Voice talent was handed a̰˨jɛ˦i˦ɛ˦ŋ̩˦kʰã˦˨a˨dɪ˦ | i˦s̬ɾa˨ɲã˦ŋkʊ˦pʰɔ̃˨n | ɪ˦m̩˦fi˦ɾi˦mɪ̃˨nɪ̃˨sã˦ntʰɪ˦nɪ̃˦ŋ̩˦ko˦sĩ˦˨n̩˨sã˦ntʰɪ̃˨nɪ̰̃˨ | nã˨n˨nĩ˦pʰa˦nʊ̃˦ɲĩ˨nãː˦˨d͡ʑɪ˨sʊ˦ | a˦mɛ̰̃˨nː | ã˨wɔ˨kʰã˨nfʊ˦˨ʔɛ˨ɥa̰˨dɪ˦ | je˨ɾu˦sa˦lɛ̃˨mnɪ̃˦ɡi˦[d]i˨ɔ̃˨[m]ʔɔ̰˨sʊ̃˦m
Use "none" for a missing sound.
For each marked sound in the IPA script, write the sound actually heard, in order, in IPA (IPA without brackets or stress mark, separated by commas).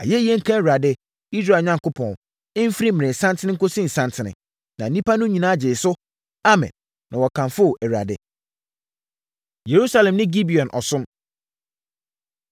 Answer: b, n